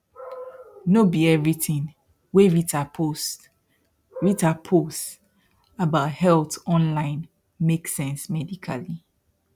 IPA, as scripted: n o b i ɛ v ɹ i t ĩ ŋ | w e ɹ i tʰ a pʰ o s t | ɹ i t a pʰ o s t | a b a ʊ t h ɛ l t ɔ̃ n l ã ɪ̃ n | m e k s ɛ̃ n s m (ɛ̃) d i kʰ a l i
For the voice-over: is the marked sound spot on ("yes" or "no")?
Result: no